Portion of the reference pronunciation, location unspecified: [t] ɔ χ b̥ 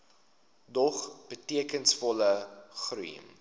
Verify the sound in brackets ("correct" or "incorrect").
incorrect